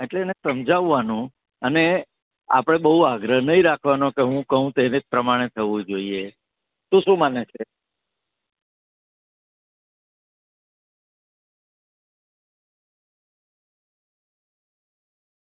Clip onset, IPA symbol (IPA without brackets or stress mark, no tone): e